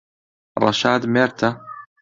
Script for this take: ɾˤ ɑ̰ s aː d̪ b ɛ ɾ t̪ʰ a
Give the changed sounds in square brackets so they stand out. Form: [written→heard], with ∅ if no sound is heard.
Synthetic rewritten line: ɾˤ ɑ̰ [s→ʃ] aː d̪ [b→m] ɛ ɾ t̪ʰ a